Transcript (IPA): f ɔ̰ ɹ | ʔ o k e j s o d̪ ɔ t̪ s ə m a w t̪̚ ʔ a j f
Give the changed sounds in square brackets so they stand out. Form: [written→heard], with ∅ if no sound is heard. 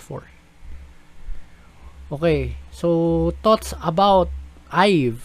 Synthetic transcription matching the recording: f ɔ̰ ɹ | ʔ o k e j s o [d̪→t̪] ɔ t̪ s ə [m→b] a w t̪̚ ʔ a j [f→v]